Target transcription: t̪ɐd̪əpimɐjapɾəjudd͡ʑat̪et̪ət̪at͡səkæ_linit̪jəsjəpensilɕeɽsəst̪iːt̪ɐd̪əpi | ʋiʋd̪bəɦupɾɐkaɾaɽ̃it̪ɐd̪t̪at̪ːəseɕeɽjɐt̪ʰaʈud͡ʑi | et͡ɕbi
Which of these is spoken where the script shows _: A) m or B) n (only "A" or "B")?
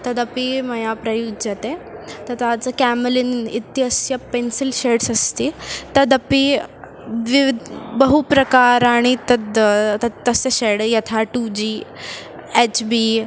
A